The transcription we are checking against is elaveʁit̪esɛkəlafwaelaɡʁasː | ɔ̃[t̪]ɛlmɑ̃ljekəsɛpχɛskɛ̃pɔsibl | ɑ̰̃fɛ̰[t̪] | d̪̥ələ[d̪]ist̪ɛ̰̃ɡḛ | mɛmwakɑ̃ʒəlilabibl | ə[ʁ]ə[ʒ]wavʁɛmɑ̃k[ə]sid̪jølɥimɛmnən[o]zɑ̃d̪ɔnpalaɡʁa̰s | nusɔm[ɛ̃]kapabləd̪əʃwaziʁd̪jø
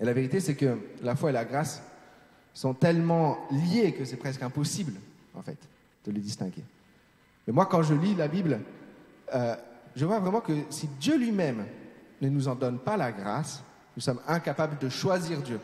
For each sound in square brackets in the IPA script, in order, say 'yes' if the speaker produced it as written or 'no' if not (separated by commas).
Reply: yes, yes, yes, no, no, yes, no, yes